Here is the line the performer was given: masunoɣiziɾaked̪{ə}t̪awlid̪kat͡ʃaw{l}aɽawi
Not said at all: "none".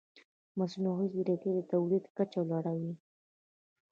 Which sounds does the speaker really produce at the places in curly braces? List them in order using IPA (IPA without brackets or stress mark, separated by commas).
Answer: ə, l